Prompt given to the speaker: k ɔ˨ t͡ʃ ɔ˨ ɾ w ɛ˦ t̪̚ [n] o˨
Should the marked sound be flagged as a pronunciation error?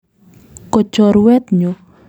yes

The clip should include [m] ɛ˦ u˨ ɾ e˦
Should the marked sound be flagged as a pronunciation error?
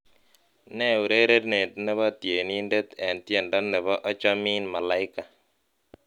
yes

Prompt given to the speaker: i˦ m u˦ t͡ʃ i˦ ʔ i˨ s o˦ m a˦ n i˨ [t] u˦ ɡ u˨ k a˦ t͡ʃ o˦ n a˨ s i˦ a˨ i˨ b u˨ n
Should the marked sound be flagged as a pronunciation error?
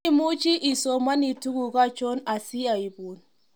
no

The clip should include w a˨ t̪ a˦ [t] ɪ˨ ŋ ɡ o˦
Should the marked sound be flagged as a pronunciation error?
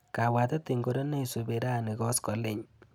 no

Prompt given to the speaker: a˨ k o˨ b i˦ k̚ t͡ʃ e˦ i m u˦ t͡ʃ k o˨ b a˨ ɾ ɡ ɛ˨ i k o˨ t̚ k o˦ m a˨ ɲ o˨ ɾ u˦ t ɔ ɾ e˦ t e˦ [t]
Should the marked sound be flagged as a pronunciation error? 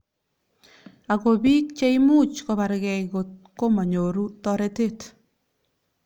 no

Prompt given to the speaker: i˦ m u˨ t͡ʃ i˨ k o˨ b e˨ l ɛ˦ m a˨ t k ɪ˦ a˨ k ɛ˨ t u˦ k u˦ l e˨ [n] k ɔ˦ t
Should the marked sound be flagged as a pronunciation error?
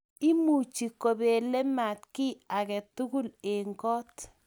yes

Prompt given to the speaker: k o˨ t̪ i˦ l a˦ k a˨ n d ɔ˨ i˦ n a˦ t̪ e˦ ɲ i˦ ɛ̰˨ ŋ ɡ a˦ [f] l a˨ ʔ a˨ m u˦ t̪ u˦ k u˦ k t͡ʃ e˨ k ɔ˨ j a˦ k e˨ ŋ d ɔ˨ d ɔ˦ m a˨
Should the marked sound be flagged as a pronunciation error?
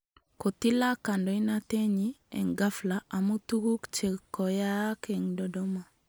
no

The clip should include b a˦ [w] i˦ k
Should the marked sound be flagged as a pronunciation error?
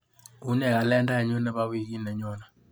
no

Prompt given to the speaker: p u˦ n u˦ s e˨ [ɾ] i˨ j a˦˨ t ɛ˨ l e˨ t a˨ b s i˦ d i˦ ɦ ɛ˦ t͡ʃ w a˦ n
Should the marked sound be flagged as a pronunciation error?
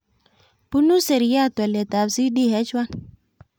no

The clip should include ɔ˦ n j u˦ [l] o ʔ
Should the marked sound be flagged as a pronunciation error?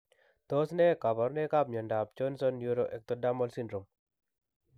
yes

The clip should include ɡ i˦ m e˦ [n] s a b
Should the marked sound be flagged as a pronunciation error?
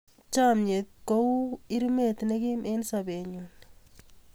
no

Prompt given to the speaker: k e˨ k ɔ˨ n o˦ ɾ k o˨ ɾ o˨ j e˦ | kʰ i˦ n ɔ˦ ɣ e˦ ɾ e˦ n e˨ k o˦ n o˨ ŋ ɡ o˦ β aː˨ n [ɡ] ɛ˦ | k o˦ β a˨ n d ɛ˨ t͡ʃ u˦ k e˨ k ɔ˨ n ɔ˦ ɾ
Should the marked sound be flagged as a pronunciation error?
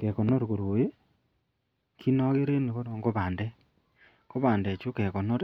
yes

